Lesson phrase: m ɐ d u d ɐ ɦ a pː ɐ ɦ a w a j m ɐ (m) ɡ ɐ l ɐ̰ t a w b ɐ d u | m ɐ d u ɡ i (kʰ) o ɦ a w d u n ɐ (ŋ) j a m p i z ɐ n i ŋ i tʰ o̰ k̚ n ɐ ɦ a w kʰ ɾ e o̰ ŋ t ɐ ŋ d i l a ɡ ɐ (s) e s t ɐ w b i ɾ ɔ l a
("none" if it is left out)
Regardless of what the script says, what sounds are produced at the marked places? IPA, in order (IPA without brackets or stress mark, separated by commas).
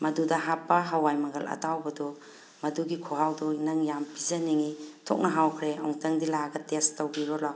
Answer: none, kʰ, ŋ, t